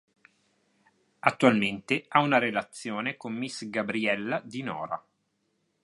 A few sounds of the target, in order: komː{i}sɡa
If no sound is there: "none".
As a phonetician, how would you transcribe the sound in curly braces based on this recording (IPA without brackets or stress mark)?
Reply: i